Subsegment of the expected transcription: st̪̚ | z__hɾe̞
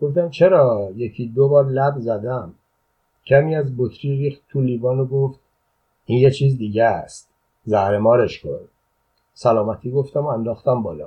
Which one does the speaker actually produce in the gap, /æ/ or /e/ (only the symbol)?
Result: æ